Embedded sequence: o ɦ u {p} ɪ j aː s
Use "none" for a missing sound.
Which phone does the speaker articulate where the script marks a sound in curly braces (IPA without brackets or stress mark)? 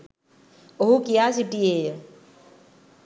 k